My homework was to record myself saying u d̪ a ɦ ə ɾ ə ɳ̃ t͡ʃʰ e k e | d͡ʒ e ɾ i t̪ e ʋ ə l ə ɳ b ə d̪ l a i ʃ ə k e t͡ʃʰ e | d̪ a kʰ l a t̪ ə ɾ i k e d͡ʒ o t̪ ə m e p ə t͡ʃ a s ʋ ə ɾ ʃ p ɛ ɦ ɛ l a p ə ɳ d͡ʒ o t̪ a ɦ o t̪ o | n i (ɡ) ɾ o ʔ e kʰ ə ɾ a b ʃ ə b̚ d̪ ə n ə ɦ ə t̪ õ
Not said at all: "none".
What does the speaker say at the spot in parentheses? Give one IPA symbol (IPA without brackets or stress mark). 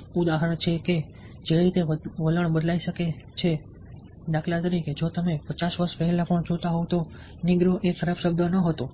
ɡ